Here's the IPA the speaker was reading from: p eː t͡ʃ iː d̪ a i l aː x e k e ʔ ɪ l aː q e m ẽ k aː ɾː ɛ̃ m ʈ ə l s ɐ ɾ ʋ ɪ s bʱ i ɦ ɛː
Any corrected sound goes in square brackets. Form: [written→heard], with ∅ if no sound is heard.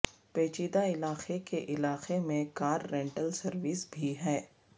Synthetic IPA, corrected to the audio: p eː t͡ʃ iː d̪ a [i→ɪ] l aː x e k e ʔ ɪ l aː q e m ẽ k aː ɾː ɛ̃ [m→ɳ] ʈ ə l s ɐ ɾ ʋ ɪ s bʱ i ɦ ɛː